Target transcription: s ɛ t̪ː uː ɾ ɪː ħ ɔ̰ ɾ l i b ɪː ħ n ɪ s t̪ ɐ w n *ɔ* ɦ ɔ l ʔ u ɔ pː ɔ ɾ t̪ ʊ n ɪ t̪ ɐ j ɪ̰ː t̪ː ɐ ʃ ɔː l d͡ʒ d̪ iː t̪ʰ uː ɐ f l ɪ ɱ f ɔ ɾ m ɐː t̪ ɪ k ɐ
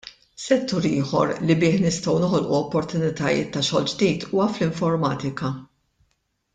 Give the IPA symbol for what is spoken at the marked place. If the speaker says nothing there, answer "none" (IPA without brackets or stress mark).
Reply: ɔ